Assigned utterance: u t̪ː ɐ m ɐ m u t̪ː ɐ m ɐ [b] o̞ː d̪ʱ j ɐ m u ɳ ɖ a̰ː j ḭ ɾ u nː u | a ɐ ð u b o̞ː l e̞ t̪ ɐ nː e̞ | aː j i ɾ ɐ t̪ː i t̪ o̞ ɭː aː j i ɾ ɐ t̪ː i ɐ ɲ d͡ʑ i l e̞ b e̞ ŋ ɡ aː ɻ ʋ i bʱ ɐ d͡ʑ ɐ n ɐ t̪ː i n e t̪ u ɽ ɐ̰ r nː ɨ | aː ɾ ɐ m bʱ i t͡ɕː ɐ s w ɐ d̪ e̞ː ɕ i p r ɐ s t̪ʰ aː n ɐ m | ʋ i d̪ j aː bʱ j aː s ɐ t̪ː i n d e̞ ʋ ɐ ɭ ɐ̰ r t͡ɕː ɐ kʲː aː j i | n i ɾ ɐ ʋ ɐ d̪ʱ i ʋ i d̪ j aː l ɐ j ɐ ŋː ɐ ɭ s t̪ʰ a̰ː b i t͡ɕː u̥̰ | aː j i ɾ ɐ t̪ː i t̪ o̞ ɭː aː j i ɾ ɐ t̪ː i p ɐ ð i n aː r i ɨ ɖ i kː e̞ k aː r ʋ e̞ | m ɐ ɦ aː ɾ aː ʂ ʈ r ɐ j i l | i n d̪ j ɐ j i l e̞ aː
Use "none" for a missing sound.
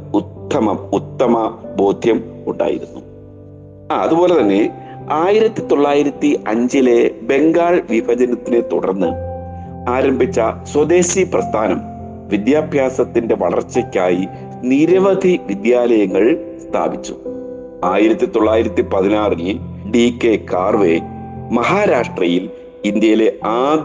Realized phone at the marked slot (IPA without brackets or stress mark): b